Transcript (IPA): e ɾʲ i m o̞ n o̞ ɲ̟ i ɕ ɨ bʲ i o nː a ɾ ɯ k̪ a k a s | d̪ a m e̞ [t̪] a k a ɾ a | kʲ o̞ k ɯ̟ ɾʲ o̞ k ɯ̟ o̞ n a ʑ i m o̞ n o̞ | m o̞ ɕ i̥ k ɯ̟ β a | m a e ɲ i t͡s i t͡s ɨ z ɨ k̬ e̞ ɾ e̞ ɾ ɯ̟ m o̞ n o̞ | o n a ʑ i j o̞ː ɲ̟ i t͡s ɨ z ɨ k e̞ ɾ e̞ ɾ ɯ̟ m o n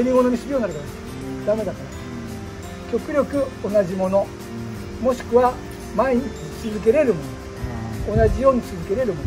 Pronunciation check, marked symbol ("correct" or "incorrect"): incorrect